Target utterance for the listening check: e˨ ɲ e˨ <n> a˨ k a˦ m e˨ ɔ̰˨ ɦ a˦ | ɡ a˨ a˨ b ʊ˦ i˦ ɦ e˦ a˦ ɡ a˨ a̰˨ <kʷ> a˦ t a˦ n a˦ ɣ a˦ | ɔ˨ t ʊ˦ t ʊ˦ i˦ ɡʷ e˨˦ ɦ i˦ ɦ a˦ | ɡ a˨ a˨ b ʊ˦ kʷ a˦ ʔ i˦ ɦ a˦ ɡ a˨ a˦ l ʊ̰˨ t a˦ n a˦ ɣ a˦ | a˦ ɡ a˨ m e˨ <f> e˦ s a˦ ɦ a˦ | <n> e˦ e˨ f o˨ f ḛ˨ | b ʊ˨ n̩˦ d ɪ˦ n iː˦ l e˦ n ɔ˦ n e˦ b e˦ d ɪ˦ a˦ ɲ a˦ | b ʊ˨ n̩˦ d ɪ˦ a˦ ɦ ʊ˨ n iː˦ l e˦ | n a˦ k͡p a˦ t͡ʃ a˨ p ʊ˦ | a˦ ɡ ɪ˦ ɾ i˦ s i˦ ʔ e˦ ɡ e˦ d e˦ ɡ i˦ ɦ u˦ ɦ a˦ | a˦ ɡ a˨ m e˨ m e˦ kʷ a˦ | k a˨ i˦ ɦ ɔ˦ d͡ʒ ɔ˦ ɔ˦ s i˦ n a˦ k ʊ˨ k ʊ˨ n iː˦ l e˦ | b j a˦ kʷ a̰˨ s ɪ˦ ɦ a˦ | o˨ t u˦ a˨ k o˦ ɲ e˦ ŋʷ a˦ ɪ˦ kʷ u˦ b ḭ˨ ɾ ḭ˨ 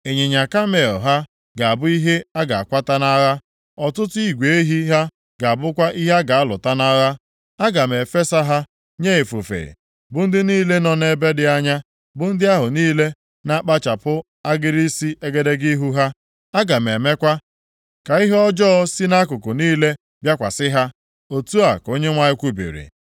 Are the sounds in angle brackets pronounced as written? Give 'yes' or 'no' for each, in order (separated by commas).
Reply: no, yes, yes, no